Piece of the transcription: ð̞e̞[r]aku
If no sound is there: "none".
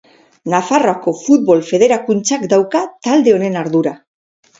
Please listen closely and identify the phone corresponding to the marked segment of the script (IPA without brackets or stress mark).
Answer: ɾ